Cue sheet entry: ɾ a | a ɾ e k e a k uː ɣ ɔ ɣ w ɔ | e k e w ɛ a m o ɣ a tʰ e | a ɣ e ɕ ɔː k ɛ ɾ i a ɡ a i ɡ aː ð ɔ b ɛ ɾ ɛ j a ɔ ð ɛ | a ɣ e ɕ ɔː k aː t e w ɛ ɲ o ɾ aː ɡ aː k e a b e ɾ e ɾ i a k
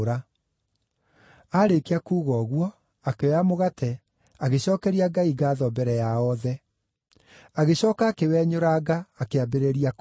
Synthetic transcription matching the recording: ɾ a | a ɾ e k e a k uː ɣ ɔ ɣ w ɔ | a k e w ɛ a m o ɣ a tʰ ɛ | a ɣ e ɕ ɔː k ɛ ɾ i a ɡ a i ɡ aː ð ɔ b ɛ ɾ ɛ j a ɔ ð ɛ | a ɣ e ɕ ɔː k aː k e w ɛ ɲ o ɾ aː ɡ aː k e a b e ɾ e ɾ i a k